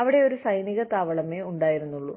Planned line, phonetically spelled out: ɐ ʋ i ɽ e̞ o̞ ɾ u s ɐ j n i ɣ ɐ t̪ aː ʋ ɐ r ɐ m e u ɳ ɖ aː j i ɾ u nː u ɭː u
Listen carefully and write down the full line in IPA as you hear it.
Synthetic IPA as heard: ɐ ʋ i ɽ e̞ o̞ ɾ u s ɐ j n i ɣ ɐ t̪ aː ʋ ɐ ɭ ɐ m e u ɳ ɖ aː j i ɾ u nː u ɭː u